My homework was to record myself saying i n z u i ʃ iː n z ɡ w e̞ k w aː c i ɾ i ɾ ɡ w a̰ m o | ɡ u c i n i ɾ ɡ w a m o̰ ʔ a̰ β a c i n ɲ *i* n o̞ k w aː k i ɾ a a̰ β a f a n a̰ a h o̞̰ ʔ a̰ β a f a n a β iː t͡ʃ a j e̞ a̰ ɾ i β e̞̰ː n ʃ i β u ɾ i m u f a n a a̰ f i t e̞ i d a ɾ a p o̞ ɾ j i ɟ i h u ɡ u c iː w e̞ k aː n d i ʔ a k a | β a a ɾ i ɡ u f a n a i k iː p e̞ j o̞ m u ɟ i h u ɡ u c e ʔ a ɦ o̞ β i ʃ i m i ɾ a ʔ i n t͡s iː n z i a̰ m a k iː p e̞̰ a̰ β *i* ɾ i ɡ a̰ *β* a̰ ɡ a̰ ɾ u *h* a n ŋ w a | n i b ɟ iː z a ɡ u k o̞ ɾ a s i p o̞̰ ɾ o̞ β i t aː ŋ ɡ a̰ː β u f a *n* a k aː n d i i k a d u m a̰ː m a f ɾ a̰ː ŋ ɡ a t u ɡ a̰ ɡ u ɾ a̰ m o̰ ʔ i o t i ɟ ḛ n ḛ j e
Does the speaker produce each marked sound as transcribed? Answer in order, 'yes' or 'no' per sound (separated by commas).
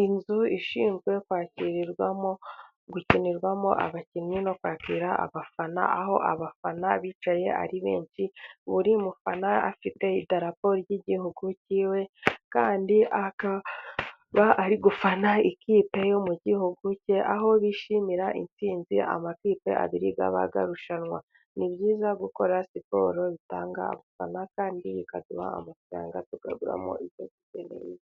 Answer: yes, yes, yes, no, yes